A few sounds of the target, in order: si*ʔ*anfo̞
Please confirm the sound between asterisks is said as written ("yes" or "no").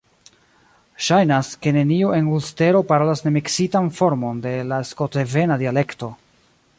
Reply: no